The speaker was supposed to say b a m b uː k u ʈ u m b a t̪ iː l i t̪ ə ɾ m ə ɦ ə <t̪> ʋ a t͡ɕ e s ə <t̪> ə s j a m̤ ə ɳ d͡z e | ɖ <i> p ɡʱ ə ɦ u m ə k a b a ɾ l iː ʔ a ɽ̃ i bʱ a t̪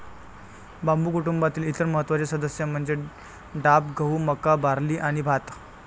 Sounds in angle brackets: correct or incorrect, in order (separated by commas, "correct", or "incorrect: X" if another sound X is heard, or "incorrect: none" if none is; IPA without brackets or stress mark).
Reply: correct, incorrect: d̪, incorrect: a